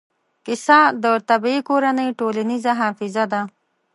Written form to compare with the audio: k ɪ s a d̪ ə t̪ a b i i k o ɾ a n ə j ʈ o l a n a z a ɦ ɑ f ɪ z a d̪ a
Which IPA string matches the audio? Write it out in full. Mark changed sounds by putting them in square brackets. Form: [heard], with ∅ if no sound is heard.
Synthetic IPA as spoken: k ɪ s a d̪ ə t̪ a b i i k o ɾ a n ə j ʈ o l a n [i] z a ɦ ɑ f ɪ z a d̪ a